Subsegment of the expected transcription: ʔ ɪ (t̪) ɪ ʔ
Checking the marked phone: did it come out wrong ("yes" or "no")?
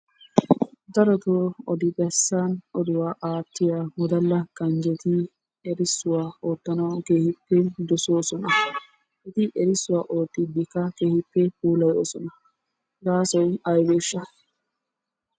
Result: no